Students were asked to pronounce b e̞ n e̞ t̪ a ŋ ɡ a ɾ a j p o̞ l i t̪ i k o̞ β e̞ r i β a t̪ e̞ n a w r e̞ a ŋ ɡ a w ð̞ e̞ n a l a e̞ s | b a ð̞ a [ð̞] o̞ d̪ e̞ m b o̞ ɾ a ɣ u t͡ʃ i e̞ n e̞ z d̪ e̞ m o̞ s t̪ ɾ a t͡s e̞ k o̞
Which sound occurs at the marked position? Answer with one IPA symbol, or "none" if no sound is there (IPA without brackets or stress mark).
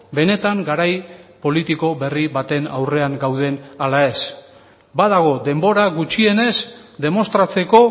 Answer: ɣ̞